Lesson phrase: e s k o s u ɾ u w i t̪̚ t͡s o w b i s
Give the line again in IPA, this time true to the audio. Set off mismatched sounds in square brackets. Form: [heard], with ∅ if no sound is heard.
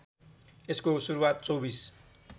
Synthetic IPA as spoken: e s k o s u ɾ u w [a] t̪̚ t͡s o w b i s